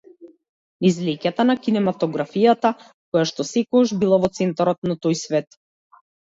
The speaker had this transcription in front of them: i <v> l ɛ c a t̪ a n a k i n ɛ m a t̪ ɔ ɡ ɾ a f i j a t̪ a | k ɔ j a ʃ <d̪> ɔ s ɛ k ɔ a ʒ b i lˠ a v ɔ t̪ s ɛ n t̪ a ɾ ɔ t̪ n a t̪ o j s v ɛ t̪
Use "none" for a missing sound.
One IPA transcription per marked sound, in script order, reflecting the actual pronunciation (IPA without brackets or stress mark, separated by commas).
z, t̪